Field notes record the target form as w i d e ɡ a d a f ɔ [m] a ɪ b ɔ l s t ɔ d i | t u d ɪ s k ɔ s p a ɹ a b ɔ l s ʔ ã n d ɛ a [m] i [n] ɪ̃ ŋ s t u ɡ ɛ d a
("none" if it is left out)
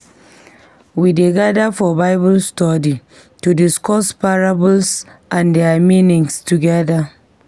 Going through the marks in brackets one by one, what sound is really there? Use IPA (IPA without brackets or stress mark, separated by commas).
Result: b, m, n